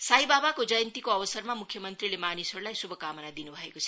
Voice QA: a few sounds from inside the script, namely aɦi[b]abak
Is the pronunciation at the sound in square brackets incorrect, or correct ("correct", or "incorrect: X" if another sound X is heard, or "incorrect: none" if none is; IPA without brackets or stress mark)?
correct